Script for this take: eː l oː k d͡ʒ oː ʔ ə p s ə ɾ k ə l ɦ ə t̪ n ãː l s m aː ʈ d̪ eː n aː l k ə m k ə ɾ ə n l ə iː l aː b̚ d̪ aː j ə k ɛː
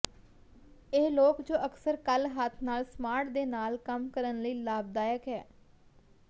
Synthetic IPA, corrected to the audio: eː l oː k d͡ʒ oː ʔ ə k s ə ɾ k ə l ɦ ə t̪ʰ n aː l s m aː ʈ d̪ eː n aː l k ə m k ə ɾ ə n l ə iː l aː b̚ d̪ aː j ə k ɛː